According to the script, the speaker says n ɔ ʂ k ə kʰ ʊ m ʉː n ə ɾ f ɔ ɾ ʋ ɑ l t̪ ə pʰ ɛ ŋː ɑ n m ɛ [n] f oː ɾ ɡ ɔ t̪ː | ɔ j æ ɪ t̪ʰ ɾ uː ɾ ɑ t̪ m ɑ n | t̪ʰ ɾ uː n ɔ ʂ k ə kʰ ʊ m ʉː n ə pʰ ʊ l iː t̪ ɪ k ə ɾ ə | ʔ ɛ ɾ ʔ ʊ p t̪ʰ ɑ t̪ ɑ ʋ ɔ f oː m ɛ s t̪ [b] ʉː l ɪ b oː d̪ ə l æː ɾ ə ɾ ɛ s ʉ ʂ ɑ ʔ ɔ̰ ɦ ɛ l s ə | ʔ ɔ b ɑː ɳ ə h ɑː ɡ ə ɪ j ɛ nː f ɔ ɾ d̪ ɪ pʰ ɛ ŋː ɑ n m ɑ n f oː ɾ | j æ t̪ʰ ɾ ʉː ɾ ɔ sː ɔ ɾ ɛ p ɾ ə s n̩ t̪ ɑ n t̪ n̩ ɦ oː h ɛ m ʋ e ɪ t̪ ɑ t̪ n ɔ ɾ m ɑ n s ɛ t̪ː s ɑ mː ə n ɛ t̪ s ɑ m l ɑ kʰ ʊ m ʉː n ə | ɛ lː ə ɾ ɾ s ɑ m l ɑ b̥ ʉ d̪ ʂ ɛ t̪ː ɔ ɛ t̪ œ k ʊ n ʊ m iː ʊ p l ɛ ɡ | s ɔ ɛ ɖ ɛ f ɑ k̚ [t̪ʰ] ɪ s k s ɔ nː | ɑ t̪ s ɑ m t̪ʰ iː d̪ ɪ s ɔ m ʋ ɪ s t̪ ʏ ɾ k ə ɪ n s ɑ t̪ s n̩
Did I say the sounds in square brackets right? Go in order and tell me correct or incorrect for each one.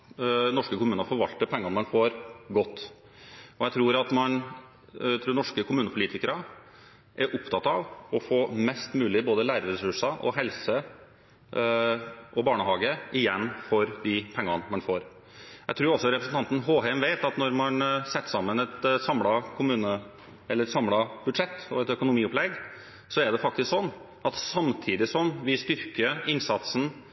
correct, incorrect: m, incorrect: t̪

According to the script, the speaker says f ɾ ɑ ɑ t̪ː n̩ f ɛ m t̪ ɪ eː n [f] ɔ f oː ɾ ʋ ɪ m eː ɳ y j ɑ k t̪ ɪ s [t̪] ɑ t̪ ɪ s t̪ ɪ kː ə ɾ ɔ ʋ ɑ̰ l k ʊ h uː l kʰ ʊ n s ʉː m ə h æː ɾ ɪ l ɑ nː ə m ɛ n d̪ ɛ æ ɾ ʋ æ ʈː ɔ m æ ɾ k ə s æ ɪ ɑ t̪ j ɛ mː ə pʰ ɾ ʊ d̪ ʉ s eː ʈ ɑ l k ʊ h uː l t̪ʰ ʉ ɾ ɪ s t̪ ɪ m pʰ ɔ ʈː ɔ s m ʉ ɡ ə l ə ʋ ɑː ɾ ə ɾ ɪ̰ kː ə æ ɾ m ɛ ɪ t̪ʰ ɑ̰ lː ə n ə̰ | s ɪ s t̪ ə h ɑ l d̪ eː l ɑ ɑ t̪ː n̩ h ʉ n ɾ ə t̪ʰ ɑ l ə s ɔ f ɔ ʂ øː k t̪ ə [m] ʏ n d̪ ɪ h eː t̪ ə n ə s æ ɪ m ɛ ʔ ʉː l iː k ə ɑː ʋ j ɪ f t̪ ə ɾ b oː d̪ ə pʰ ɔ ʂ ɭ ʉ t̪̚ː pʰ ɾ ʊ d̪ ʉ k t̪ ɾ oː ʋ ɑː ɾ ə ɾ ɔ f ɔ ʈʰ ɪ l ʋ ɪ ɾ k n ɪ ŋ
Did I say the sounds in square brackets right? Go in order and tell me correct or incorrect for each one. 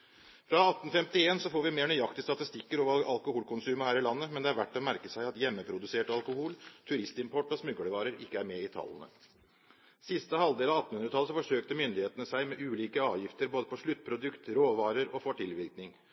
incorrect: s, correct, correct

